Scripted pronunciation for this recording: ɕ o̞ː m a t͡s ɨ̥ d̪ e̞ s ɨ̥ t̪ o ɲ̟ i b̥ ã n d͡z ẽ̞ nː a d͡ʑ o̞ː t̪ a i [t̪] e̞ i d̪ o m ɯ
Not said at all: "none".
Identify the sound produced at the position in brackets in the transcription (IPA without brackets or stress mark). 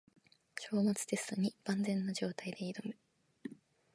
d̪